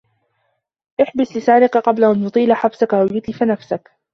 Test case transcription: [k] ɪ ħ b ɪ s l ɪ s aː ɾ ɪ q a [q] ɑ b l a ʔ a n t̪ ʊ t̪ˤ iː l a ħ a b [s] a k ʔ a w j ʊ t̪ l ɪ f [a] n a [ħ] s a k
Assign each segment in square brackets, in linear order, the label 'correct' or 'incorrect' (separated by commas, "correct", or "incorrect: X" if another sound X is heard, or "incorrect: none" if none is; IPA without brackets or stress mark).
incorrect: ʔ, correct, correct, correct, incorrect: f